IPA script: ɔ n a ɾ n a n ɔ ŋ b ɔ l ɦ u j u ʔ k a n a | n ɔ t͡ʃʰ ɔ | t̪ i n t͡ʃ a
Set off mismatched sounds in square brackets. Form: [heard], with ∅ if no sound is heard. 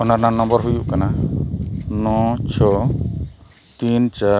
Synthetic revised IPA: ɔ n a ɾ n a n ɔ [m] b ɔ [ɾ] ɦ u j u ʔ k a n a | n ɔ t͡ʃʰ ɔ | t̪ i n t͡ʃ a